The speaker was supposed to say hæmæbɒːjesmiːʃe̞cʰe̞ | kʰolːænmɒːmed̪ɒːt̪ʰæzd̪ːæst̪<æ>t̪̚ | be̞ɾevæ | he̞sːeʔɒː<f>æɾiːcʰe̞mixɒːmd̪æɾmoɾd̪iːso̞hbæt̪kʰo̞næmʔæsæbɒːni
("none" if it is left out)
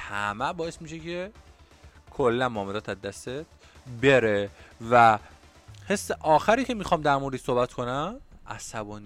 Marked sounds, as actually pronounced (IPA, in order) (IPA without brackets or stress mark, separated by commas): e, x